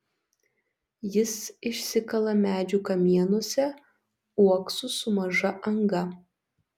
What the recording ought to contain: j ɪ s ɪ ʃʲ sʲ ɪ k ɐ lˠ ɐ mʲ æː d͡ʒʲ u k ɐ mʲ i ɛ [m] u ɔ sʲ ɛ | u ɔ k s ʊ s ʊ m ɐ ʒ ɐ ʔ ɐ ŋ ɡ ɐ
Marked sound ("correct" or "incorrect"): incorrect